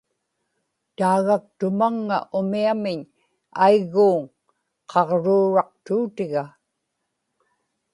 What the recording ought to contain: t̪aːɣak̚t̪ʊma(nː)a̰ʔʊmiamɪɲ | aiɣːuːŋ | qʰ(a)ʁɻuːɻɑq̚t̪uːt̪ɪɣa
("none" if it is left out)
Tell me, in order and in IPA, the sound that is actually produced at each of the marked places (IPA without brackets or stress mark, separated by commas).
ŋː, ɑ